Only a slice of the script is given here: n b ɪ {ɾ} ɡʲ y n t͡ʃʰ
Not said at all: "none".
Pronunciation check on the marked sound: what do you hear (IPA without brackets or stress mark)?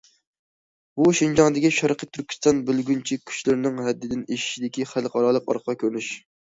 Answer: l